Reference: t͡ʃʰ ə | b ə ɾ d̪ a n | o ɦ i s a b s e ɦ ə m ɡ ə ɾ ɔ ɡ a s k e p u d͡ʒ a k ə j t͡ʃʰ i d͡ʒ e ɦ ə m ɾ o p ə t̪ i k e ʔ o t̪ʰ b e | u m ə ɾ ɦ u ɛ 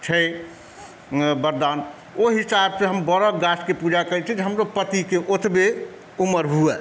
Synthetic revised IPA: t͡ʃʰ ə | b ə ɾ d̪ a n | o ɦ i s a b s e ɦ ə m b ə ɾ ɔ ɡ a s k e p u d͡ʒ a k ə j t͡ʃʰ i d͡ʒ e ɦ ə m ɾ o p ə t̪ i k e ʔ o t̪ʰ b e | u m ə ɾ ɦ u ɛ